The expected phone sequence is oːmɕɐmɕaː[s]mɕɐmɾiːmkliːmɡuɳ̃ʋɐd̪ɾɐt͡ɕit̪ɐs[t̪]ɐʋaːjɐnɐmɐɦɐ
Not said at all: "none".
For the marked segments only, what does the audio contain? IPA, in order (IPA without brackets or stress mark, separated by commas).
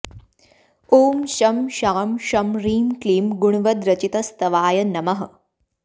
none, t̪